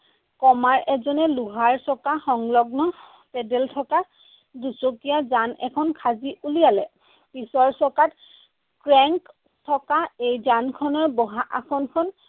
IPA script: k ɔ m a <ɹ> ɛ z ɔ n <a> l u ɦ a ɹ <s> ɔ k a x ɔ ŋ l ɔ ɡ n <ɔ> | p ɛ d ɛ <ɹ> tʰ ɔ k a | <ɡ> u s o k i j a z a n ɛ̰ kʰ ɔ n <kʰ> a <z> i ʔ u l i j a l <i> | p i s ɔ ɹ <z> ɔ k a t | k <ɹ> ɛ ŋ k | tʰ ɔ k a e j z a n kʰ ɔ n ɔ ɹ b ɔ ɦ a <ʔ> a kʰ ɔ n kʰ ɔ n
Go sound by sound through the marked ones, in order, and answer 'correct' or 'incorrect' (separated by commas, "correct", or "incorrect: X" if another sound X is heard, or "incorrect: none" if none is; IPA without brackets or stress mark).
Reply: correct, incorrect: ɛ, correct, correct, incorrect: l, incorrect: d, correct, correct, incorrect: ɛ, incorrect: s, correct, correct